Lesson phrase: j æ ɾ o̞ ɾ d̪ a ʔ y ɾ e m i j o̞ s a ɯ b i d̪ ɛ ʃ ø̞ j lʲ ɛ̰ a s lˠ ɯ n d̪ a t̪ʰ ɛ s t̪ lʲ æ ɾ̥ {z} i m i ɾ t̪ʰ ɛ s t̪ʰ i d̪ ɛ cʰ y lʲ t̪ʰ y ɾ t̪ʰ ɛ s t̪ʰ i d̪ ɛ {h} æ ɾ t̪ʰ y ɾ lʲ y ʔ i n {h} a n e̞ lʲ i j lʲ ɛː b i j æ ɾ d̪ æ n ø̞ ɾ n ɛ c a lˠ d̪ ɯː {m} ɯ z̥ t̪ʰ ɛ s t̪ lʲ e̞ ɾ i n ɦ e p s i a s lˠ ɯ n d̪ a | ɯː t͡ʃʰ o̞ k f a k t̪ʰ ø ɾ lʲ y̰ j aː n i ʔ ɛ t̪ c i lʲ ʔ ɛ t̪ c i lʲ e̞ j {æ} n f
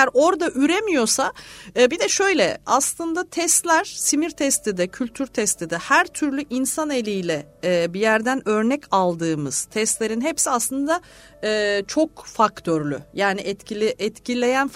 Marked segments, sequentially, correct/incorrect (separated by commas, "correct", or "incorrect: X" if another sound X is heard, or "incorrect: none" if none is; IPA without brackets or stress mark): incorrect: s, correct, incorrect: s, correct, correct